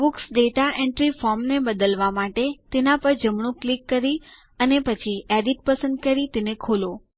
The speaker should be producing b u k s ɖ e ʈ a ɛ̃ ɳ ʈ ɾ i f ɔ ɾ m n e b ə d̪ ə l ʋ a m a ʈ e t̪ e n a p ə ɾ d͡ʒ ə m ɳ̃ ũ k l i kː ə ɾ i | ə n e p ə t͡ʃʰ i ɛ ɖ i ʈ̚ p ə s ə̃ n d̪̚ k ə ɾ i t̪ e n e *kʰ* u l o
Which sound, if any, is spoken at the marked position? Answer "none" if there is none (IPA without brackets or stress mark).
kʰ